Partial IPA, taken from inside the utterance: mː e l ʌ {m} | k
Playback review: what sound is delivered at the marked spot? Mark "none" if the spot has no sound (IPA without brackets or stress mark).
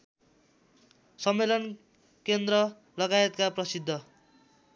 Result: n